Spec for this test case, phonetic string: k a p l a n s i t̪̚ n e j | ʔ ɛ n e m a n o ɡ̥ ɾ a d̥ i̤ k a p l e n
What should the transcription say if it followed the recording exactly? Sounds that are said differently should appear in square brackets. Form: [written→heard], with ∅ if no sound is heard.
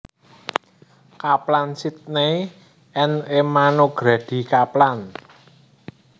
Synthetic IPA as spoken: k a p l a n s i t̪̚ n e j | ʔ ɛ n e m a n o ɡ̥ ɾ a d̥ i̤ k a p l [e→a] n